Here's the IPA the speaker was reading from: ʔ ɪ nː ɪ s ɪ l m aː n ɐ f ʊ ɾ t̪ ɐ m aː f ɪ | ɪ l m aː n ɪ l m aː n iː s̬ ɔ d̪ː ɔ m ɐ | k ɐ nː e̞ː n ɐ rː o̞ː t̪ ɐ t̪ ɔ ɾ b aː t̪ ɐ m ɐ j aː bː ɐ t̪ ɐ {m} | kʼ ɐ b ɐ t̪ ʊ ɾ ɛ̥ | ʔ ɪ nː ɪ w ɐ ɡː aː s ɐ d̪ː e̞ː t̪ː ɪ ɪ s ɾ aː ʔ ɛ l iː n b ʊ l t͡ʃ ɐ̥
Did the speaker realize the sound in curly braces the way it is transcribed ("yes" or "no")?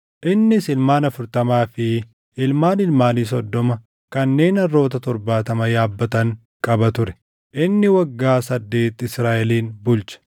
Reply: no